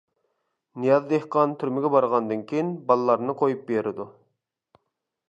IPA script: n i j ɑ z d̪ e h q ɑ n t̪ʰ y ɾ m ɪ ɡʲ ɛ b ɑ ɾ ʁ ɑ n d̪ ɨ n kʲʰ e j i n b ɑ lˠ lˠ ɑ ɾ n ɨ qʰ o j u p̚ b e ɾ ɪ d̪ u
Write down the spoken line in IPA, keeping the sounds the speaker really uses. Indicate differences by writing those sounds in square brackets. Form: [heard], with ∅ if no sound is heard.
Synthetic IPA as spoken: n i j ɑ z d̪ e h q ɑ n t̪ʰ y ɾ m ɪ ɡʲ ɛ b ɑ ɾ ʁ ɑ n d̪ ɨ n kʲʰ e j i n b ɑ lˠ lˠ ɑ ɾ n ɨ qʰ o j u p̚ b e ɾ ɪ d̪ u